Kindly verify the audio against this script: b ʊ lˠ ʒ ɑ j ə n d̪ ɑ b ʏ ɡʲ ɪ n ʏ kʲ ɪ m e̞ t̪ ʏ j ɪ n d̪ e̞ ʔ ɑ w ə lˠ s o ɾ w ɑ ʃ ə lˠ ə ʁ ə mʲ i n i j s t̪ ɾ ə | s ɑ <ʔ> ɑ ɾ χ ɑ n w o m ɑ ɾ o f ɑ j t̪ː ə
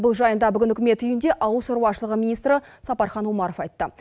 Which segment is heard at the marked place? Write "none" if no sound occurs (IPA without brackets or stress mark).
p